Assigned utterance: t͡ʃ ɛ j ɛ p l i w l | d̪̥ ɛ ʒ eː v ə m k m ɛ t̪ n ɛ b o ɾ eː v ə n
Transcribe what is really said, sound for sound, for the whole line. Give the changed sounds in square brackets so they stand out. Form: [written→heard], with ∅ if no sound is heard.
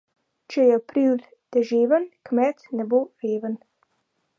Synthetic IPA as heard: t͡ʃ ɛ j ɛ p [l→ɾ] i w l | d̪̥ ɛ ʒ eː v ə [m→n] k m ɛ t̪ n ɛ b o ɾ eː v ə n